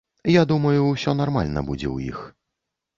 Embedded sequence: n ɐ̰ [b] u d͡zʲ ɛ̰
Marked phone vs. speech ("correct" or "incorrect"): correct